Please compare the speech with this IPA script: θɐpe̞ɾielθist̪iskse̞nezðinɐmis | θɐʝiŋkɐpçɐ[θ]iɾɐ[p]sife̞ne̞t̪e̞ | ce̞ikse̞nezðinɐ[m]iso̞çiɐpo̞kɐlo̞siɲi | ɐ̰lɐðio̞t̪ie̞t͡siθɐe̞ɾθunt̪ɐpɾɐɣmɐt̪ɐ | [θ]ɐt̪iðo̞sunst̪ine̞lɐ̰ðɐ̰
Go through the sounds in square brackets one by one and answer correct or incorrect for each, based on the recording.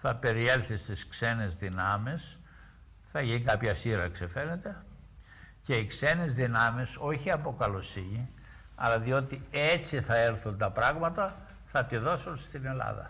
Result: incorrect: s, incorrect: k, correct, correct

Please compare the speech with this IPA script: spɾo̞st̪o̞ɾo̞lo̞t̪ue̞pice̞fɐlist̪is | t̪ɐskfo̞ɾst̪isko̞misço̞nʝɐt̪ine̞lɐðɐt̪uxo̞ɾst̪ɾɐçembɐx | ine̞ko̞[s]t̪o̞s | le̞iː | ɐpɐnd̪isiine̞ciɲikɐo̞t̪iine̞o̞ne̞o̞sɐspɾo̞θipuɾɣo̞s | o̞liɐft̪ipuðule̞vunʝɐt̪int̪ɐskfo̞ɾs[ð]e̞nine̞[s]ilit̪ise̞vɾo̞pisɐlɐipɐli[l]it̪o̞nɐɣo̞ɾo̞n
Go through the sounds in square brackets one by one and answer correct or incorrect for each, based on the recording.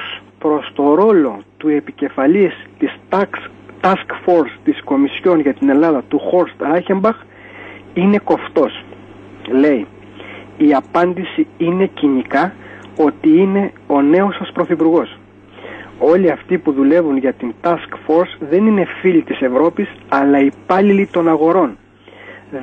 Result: incorrect: f, correct, incorrect: f, correct

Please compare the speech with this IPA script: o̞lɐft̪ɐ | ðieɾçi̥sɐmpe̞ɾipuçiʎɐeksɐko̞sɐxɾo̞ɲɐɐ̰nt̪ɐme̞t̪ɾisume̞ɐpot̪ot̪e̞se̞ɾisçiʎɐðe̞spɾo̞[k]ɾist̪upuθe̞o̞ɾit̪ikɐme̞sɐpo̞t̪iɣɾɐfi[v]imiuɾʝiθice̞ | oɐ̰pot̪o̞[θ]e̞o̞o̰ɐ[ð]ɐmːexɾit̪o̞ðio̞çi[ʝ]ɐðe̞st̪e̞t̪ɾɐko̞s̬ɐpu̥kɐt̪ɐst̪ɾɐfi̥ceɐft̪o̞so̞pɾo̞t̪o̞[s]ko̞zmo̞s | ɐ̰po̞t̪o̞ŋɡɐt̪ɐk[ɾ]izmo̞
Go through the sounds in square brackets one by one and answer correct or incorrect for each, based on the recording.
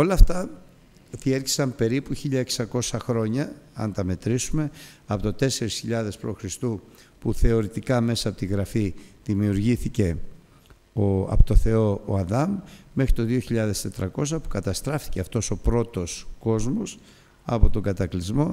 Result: incorrect: x, incorrect: ð, correct, correct, incorrect: ʎ, correct, incorrect: l

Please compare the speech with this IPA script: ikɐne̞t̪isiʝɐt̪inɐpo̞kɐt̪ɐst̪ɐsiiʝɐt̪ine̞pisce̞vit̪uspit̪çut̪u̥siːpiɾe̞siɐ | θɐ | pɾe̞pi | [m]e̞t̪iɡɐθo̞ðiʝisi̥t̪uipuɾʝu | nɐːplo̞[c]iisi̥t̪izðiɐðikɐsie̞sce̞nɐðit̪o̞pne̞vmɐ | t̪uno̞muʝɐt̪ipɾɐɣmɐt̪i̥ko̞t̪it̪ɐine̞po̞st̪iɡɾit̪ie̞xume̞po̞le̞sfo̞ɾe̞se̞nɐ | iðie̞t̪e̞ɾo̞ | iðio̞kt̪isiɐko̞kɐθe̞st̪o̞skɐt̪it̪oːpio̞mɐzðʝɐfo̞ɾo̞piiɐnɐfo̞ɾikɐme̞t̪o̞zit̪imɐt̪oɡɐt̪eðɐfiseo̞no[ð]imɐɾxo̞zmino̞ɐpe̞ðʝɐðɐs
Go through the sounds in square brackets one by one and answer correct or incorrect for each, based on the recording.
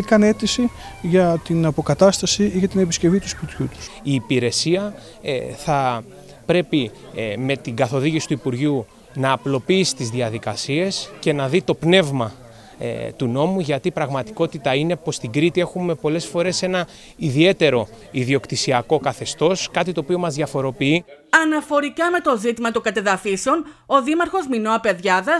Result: correct, incorrect: p, correct

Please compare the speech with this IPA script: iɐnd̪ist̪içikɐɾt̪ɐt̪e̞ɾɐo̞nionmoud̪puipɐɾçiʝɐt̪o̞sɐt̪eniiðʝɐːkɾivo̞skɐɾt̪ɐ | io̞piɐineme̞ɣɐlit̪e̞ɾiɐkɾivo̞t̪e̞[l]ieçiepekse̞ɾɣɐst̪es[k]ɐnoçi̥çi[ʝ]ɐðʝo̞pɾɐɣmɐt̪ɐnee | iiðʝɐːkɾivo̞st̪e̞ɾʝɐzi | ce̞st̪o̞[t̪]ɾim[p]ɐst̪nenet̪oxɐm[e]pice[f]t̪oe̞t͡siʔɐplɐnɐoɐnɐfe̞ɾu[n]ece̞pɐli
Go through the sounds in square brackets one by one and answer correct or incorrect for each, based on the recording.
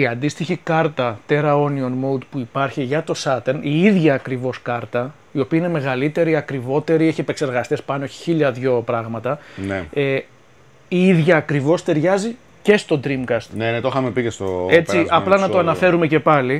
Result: incorrect: ɾ, incorrect: p, incorrect: ʎ, incorrect: d̪, incorrect: k, correct, incorrect: s, incorrect: m

